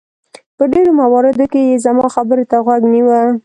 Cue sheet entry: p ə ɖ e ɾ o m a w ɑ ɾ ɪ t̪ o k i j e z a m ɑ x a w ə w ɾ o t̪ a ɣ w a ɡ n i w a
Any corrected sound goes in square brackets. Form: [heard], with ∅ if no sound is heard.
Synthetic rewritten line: p ə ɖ e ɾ o m a w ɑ ɾ ɪ [d̪] o k [e] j e z a m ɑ x a [b] ə [∅] ɾ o t̪ a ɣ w a ɡ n i w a